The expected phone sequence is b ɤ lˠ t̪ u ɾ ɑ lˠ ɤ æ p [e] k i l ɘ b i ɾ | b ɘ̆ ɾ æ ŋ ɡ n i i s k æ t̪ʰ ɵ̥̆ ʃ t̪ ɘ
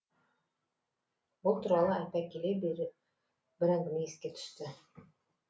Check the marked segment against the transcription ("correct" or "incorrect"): incorrect